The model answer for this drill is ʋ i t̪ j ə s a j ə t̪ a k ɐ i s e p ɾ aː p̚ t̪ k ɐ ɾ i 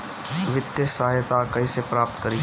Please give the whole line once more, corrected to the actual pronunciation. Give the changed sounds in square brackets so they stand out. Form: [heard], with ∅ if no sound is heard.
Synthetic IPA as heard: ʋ [ɪ] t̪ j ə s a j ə t̪ a k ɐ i s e p ɾ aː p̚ t̪ k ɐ ɾ i